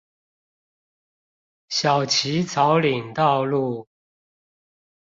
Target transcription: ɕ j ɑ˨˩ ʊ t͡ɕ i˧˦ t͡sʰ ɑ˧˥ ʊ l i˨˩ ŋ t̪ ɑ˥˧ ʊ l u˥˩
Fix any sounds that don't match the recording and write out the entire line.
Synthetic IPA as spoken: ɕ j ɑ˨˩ ʊ t͡ɕʰ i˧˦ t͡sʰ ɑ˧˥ ʊ l i˨˩ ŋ t̪ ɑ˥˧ ʊ l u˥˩